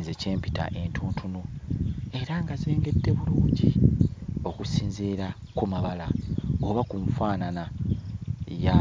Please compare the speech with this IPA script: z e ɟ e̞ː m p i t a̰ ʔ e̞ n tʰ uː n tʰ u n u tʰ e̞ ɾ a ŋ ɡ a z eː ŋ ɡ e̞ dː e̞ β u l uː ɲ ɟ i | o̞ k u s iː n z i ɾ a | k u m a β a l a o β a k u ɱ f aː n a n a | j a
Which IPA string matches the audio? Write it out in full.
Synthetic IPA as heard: z e c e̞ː m p i t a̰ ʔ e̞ n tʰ uː n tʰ u n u e̞ ɾ a ŋ ɡ a z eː ŋ ɡ e̞ dː e̞ β u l uː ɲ ɟ i | o̞ k u s iː n z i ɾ a | k u m a β a l a o β a k u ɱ f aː n a n a | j a